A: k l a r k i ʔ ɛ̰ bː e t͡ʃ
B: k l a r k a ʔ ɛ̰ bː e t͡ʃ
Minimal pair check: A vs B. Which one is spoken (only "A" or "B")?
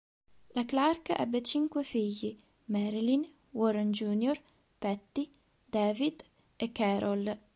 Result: B